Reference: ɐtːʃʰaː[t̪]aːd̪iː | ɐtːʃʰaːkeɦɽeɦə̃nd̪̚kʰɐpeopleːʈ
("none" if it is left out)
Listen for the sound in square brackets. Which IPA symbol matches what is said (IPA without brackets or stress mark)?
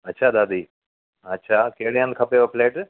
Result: d̪